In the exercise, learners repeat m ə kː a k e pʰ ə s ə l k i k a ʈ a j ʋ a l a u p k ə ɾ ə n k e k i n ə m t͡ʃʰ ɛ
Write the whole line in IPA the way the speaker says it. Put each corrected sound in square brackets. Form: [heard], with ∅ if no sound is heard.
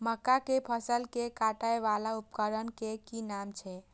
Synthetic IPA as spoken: m ə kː a k e pʰ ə s ə l k [e] k a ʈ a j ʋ a l a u p k ə ɾ ə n k e k i n [a] m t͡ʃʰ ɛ